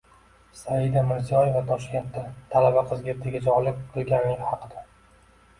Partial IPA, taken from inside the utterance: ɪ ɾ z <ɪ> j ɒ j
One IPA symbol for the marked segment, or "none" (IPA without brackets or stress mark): i